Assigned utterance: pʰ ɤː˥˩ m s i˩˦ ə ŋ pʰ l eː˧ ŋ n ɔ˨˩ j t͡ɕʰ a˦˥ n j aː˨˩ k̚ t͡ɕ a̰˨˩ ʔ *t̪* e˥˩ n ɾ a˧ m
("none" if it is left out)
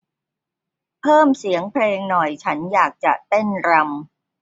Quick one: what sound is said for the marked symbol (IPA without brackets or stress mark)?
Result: t̪